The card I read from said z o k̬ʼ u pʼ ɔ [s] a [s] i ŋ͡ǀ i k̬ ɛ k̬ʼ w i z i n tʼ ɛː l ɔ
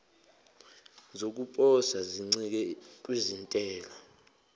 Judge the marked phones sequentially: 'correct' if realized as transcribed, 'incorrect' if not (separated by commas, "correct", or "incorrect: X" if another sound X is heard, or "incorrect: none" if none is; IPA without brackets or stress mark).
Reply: correct, incorrect: z